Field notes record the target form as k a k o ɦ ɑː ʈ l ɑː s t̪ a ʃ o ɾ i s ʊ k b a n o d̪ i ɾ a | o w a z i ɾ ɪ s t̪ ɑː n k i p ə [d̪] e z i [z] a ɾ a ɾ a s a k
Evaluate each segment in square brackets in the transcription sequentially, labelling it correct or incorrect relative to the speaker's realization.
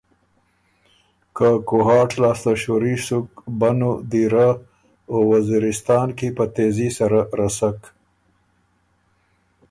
incorrect: t̪, incorrect: s

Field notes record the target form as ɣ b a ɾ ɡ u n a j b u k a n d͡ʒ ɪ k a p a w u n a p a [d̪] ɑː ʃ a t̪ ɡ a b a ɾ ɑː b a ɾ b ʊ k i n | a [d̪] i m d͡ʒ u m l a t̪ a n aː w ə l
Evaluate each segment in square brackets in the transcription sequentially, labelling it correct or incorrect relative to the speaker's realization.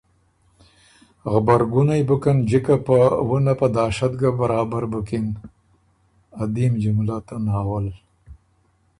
correct, correct

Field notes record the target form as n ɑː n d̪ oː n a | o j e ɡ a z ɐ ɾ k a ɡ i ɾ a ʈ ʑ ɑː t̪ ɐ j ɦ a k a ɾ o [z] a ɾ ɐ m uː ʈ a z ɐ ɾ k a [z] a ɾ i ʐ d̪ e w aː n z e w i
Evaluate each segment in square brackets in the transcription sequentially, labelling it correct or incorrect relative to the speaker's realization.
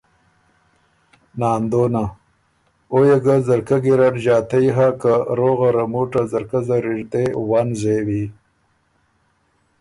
incorrect: ɣ, correct

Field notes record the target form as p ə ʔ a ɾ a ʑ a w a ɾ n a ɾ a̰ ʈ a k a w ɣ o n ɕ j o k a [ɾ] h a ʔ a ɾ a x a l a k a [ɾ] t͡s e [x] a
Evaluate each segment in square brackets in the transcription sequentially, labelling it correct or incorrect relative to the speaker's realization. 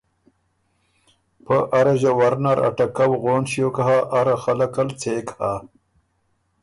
incorrect: none, incorrect: l, incorrect: k

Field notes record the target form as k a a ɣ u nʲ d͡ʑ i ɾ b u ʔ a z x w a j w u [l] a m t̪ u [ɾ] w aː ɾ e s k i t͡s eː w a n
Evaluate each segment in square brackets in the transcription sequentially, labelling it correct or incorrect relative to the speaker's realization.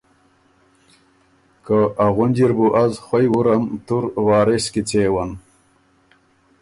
incorrect: ɾ, correct

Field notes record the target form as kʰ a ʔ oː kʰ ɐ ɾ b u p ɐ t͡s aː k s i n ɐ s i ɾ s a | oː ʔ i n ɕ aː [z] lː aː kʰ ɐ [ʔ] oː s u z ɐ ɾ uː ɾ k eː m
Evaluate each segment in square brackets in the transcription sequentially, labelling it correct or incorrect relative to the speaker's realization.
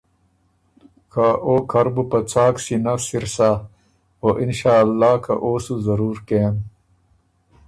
incorrect: none, correct

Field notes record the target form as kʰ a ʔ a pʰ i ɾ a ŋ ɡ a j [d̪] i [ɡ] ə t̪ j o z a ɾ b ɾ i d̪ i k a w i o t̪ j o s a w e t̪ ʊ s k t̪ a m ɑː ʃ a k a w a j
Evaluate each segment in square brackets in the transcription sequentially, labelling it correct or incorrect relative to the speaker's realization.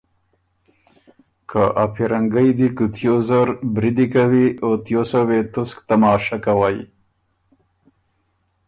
correct, incorrect: k

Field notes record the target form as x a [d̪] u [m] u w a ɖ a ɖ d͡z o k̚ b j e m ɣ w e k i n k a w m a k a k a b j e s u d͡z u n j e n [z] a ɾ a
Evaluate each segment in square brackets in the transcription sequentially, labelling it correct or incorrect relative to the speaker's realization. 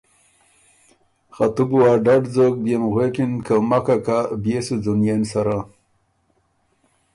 incorrect: t̪, incorrect: b, incorrect: s

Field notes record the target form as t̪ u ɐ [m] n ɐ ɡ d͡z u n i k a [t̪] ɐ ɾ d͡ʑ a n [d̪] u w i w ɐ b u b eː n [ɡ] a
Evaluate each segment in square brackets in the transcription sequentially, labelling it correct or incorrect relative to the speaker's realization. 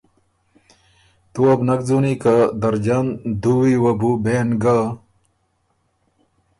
incorrect: b, incorrect: d̪, correct, correct

